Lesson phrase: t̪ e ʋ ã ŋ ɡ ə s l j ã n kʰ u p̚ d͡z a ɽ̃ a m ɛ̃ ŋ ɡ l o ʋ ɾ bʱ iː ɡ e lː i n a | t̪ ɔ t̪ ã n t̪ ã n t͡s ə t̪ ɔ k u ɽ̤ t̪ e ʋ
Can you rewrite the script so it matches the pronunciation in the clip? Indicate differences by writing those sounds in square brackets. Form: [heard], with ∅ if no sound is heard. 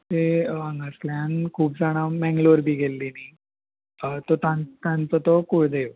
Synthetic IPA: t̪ e ʋ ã ŋ ɡ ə s l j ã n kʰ [uː] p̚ d͡z a ɽ̃ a m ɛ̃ ŋ ɡ l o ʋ ɾ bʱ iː ɡ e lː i n [i] | t̪ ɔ t̪ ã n t̪ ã n t͡s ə t̪ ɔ k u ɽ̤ [d̪] e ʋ